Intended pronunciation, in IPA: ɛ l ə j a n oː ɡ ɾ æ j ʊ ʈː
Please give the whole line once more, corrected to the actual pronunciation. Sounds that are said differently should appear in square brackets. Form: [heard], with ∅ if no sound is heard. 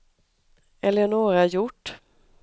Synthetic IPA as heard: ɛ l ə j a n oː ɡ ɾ [a] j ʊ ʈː